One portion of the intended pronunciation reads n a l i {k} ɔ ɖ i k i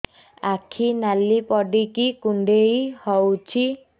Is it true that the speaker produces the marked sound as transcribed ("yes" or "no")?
no